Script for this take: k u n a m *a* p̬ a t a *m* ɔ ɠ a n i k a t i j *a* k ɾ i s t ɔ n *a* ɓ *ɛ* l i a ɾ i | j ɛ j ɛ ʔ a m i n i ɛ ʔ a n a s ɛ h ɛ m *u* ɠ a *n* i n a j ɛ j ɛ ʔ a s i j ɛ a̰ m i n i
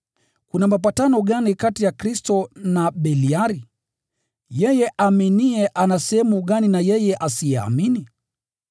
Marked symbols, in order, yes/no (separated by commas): yes, no, yes, yes, yes, yes, yes